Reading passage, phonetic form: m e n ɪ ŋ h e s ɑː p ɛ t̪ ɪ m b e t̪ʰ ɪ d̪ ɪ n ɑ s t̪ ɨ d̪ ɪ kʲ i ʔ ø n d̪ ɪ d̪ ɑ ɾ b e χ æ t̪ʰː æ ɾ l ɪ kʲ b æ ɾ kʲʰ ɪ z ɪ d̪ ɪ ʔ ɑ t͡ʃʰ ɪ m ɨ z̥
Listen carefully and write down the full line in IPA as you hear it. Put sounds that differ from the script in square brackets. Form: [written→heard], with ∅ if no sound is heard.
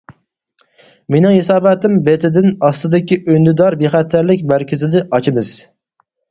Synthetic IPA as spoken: m e n ɪ ŋ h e s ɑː [p→b] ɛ t̪ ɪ m b e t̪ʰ ɪ d̪ ɪ n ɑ s t̪ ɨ d̪ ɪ kʲ i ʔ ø n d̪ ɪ d̪ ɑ ɾ b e χ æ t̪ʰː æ ɾ l ɪ kʲ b æ ɾ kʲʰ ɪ z ɪ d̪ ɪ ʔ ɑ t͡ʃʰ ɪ m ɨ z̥

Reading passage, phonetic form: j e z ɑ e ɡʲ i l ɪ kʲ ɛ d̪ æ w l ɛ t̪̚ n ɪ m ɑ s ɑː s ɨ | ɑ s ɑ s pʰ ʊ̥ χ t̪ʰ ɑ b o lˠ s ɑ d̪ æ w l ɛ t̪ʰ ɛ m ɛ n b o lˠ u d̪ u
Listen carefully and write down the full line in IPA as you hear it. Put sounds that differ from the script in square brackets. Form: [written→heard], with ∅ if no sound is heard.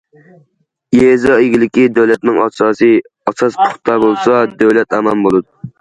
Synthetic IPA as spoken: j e z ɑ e ɡʲ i l ɪ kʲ [ɛ→i] d̪ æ w l ɛ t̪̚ n ɪ [m→ŋ] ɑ s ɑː s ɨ | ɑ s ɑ s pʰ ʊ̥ χ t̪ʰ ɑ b o lˠ s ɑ d̪ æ w l ɛ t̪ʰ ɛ m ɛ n b o lˠ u d̪ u

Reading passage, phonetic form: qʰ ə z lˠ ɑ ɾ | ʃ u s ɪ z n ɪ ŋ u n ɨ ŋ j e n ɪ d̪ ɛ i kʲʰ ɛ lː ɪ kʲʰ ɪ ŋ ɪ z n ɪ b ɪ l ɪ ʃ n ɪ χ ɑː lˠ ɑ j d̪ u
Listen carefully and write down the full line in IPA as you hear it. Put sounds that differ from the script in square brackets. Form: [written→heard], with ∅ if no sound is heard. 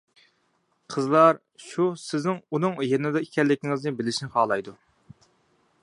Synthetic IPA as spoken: qʰ ə z lˠ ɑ ɾ | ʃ u s ɪ z n ɪ ŋ u n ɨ ŋ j e n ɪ d̪ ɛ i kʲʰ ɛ lː ɪ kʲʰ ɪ ŋ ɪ z n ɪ b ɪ l ɪ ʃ n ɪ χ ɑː lˠ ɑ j d̪ u

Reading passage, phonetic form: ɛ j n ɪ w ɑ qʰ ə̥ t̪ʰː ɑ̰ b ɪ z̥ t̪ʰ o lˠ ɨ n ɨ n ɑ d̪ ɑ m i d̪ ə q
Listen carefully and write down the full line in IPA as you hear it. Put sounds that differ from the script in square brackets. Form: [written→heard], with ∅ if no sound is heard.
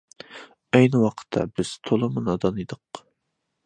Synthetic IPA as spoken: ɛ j n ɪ w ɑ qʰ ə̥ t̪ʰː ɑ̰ b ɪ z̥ t̪ʰ o lˠ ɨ [n→m] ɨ n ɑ d̪ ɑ [m→n] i d̪ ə q

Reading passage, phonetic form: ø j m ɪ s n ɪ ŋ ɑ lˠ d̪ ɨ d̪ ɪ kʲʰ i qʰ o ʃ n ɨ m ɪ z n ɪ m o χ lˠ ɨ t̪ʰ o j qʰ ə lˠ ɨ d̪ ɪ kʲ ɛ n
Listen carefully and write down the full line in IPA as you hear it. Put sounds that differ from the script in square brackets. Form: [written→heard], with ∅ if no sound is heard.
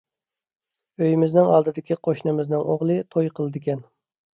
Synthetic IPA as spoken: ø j m ɪ [s→z] n ɪ ŋ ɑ lˠ d̪ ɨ d̪ ɪ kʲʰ i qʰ o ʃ n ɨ m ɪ z n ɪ [m→ŋ] o [χ→ʁ] lˠ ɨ t̪ʰ o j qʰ ə lˠ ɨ d̪ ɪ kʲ ɛ n

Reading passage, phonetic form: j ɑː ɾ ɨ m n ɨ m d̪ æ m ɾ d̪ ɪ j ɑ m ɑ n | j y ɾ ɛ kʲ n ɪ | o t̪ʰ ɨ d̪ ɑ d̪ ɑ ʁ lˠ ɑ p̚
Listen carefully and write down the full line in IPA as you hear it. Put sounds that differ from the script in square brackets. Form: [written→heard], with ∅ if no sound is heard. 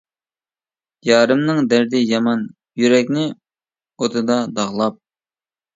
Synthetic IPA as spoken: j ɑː ɾ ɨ m n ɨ [m→ŋ] d̪ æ [m→∅] ɾ d̪ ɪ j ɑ m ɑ n | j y ɾ ɛ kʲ n ɪ | o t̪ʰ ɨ d̪ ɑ d̪ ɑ ʁ lˠ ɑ p̚

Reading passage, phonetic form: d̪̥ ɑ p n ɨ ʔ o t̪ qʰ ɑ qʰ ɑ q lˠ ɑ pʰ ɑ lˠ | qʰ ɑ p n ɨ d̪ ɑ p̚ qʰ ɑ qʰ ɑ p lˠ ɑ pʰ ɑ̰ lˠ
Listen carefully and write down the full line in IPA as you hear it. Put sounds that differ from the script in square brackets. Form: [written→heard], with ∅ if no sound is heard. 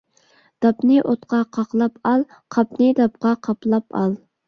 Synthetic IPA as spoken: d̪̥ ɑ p n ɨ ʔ o t̪ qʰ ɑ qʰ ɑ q lˠ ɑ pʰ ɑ lˠ | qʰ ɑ p n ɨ d̪ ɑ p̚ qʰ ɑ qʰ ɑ p lˠ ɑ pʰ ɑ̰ lˠ

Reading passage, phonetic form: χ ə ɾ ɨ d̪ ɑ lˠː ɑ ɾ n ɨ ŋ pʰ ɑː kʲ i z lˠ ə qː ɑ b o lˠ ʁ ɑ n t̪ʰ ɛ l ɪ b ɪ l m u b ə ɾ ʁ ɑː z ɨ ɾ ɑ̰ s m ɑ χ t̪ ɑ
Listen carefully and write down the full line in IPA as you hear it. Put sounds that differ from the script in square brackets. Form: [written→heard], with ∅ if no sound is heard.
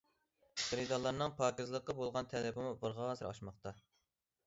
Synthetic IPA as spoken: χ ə ɾ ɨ d̪ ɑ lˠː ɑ ɾ n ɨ ŋ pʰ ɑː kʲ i z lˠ ə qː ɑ b o lˠ ʁ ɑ n t̪ʰ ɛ l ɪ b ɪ [l→∅] m u b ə ɾ ʁ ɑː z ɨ ɾ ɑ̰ [s→ʃ] m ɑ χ t̪ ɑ

